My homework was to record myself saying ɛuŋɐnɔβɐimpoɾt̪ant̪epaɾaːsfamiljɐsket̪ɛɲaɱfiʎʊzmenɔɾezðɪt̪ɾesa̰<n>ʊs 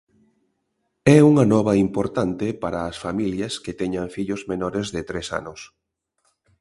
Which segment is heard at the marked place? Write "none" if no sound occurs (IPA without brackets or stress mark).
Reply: n